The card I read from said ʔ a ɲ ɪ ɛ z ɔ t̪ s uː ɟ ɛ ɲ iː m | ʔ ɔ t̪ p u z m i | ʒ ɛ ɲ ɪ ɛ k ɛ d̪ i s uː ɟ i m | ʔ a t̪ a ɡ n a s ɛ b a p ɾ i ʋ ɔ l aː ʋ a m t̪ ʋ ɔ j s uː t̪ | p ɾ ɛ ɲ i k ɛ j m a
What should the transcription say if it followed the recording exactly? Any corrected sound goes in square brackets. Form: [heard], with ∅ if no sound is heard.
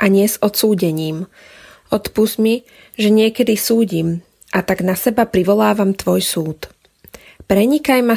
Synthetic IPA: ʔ a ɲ ɪ ɛ z ɔ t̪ s uː ɟ ɛ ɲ iː m | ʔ ɔ t̪ p u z m i | ʒ ɛ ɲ ɪ ɛ k ɛ d̪ i s uː ɟ i m | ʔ a t̪ a ɡ n a s ɛ b a p ɾ i ʋ ɔ l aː ʋ a m t̪ ʋ ɔ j s uː t̪ | p ɾ ɛ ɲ i k [a] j m a